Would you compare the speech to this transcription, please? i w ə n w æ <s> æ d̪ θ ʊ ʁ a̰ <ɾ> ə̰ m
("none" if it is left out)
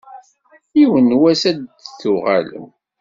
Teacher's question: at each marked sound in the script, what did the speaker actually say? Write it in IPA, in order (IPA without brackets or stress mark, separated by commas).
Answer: s, l